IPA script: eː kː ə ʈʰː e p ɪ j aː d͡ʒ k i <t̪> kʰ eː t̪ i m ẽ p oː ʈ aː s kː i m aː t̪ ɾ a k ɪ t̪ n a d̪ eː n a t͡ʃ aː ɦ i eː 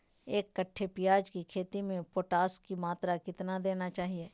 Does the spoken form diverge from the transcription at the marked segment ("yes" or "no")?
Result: yes